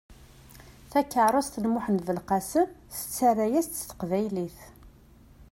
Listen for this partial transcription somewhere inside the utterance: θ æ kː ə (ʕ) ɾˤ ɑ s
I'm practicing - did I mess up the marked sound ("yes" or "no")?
no